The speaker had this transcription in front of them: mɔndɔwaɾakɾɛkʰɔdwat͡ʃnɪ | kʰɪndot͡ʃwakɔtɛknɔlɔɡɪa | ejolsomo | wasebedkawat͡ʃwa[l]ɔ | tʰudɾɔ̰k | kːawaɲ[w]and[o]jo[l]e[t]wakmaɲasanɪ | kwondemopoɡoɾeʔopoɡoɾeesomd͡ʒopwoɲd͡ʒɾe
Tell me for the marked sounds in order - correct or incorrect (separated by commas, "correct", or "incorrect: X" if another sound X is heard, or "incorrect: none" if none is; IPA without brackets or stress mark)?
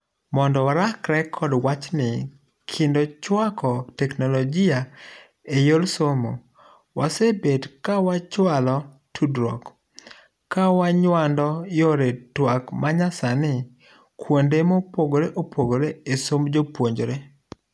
correct, correct, incorrect: ɔ, incorrect: ɾ, correct